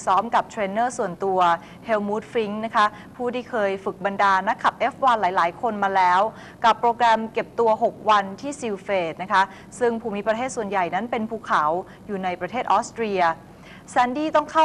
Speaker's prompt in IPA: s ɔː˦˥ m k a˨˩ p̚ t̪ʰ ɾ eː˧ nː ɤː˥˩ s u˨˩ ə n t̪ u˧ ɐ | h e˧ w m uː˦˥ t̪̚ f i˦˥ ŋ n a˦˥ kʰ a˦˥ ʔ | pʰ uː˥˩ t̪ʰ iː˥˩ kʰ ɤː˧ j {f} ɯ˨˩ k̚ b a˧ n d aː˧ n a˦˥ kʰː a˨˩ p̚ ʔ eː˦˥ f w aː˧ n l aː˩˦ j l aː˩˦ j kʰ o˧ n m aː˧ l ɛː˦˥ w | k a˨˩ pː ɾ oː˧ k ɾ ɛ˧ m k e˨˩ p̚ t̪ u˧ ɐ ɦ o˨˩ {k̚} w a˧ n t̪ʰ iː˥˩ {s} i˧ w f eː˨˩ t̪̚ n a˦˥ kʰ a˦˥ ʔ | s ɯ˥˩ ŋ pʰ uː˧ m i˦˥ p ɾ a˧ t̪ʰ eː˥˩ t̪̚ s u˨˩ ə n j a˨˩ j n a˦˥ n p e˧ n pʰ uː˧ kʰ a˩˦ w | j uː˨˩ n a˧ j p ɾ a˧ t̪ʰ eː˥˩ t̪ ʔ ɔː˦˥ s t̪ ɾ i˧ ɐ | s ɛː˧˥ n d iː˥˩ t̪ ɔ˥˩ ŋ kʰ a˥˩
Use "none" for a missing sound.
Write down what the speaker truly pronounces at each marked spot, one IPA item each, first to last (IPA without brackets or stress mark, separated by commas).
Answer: f, k̚, s